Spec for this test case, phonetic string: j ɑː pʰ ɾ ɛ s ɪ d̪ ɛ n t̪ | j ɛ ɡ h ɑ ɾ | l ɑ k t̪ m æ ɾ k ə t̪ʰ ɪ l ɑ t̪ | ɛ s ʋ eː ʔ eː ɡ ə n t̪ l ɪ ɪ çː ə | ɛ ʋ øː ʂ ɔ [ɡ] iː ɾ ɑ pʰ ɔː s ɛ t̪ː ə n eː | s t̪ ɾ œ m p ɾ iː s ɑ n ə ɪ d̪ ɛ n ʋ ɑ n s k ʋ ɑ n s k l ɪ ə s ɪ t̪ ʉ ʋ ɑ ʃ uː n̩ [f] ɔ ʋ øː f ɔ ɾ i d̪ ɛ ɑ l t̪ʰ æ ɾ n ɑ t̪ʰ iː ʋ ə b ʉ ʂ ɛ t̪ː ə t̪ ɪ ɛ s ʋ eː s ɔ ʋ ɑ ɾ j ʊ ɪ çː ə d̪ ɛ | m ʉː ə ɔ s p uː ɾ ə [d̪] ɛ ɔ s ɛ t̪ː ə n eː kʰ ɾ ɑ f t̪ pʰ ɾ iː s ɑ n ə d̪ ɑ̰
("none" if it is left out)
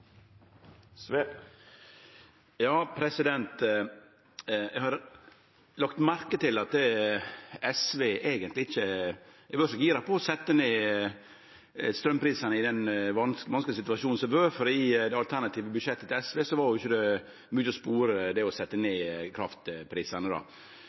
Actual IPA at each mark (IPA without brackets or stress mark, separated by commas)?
ɡ, s, d̪